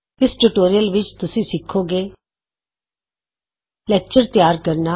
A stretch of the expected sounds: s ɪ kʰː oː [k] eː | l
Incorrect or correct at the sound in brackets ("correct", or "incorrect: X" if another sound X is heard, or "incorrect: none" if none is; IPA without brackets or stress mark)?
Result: incorrect: ɡ